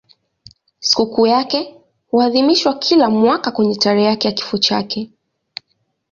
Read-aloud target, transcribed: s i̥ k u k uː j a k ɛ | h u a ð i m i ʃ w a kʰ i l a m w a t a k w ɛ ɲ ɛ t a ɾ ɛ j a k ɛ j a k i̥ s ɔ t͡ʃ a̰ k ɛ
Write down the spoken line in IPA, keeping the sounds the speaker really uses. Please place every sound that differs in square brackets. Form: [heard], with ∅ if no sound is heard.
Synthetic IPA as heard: s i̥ k u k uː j a k ɛ | h u a ð i m i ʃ w a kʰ i l a m w a [k] a k w ɛ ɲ ɛ t a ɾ ɛ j a k ɛ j a k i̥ [f] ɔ t͡ʃ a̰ k ɛ

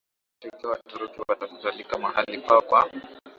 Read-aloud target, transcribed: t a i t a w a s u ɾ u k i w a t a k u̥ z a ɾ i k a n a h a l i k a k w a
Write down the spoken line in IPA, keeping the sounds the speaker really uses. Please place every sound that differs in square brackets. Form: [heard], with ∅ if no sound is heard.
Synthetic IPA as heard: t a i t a w a [t] u ɾ u k i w a t a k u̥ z a [l] i k a [m] a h a l i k a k w a

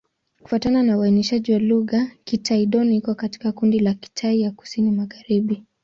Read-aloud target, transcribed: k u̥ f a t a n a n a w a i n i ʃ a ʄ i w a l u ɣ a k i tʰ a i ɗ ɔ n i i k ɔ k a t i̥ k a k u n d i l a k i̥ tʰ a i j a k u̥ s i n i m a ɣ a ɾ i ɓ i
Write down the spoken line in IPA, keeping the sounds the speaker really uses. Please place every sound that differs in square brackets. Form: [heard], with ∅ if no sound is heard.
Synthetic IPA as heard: k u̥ f a t a n a n a w a i n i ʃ a ʄ i w a l u ɣ a k i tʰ a i ɗ ɔ n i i k ɔ k a t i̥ k a k u n d i l a k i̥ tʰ a i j a k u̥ s i n i m a ɣ a ɾ i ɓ i

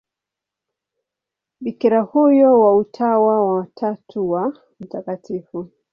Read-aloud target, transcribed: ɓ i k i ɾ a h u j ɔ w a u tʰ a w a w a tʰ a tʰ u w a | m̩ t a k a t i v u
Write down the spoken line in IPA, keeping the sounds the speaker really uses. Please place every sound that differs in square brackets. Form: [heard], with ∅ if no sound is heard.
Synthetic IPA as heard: ɓ i k i ɾ a h u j ɔ w a u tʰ a w a w a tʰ a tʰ u w a | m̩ t a k a t i [f] u

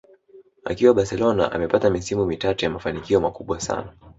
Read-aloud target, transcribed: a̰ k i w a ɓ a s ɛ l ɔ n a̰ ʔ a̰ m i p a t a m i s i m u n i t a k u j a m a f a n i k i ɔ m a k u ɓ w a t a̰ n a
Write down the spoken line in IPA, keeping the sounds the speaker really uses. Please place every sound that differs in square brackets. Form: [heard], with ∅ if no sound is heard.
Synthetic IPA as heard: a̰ k i w a ɓ a s ɛ l ɔ n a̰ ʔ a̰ m [ɛ] p a t a m i s i m u [m] i t a [t] u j a m a f a n i k i ɔ m a k u ɓ w a [s] a̰ n a

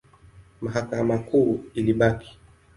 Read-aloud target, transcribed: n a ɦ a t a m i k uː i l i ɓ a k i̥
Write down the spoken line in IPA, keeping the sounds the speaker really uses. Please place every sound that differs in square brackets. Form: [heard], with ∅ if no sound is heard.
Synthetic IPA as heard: [m] a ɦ a [k] a m [a] k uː i l i ɓ a k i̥

